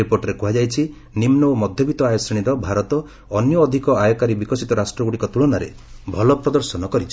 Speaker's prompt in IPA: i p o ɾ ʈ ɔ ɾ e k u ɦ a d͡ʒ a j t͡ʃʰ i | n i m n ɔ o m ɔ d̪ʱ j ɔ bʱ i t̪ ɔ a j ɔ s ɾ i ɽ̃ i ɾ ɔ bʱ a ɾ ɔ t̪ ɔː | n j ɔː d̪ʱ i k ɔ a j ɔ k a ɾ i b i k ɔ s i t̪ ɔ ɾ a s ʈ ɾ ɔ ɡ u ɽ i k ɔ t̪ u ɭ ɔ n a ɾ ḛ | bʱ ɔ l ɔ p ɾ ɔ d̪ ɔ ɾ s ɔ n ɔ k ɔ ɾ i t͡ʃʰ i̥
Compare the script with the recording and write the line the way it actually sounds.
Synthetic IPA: i p o ɾ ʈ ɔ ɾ e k u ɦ a d͡ʒ a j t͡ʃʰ i | n i m n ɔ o m ɔ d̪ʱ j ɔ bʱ i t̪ ɔ a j ɔ s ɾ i ɽ̃ i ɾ ɔ bʱ a ɾ ɔ t̪ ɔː | n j ɔː d̪ʱ i k ɔ a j ɔ k a ɾ i b i k ɔ s i t̪ ɔ ɾ a s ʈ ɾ ɔ ɡ u ɽ i k ɔ t̪ u ɭ ɔ n a ɾ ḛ | bʱ ɔ l ɔ p ɾ ɔ d̪ ɔ ɾ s ɔ n ɔ k ɔ ɾ i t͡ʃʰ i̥